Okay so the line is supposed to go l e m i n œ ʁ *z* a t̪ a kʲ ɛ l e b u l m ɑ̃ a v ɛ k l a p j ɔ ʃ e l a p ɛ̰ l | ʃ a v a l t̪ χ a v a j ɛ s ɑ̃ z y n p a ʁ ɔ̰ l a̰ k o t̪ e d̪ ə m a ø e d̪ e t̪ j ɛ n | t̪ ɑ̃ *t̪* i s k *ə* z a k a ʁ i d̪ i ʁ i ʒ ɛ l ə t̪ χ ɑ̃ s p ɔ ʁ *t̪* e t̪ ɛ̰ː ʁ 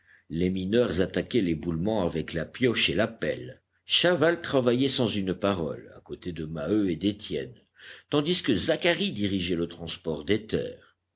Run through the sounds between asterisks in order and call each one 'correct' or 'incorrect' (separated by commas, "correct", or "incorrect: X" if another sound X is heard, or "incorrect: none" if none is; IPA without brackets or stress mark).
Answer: correct, incorrect: d̪, correct, incorrect: d̪